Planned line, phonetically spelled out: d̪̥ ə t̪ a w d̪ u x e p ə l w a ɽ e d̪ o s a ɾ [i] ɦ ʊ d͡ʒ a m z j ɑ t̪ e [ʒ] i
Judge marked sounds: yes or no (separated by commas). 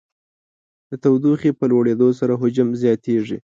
no, no